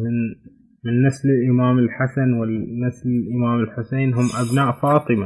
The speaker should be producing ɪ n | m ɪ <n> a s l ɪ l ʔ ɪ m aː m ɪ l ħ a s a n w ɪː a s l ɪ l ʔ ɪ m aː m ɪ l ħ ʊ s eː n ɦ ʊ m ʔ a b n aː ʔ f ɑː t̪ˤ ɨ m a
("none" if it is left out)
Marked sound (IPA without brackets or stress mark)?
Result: nː